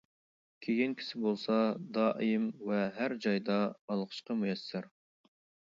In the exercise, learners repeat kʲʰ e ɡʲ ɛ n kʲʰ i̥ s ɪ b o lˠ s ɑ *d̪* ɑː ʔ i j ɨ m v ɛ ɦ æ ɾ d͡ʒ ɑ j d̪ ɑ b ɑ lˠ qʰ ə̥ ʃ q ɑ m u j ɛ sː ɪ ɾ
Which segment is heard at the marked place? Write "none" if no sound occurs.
d̪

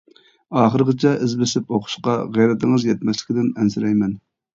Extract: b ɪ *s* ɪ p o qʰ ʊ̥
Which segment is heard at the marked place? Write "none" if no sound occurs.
s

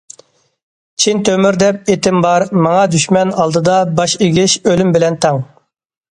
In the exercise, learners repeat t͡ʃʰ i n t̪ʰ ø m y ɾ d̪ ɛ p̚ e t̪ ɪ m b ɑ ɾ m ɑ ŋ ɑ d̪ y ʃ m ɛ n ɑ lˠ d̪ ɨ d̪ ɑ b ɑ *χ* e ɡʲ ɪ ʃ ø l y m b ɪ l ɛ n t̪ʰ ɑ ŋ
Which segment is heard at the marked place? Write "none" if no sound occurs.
ʃ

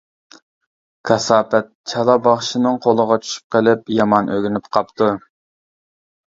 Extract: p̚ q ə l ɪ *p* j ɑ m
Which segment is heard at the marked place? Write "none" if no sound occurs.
p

